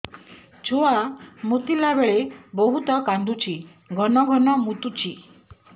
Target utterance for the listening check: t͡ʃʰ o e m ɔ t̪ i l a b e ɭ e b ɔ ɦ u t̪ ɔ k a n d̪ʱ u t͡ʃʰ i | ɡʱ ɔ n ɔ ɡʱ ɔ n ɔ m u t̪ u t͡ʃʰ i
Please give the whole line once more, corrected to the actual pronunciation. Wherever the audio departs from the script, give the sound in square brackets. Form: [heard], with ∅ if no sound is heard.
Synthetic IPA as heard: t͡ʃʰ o [a] m [u] t̪ i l a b e ɭ e b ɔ ɦ u t̪ ɔ k a n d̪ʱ u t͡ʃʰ i | ɡʱ ɔ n ɔ ɡʱ ɔ n ɔ m u t̪ u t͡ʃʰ i